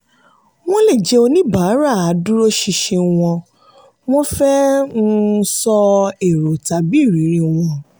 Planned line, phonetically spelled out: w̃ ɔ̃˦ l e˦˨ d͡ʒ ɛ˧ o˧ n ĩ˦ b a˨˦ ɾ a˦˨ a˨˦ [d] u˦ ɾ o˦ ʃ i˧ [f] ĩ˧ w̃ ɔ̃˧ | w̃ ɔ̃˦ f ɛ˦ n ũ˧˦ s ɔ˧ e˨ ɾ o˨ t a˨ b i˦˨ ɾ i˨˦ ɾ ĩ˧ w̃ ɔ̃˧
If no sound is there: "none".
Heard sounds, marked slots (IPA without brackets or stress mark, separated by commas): d, ʃ